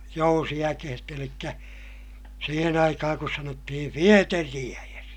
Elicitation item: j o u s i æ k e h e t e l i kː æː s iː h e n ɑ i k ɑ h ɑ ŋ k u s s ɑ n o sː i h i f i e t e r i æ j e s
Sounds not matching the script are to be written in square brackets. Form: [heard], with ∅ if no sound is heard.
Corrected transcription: j o u s i æ k e h e t e l i kː [æ] s iː h e n ɑ i k ɑ h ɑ ŋ k u s s ɑ n o [tː] i h i f i e t e r i æ j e s